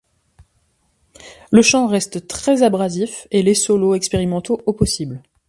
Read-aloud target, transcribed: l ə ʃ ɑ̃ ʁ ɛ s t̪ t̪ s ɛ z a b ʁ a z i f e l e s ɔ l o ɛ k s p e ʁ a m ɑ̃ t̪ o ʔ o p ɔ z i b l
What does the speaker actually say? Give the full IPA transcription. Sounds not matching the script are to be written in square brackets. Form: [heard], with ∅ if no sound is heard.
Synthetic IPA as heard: l ə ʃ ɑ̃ ʁ ɛ s t̪ t̪ [χ] ɛ z a b ʁ a z i f e l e s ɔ l o ɛ k s p e ʁ [i] m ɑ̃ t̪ o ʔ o p ɔ [s] i b l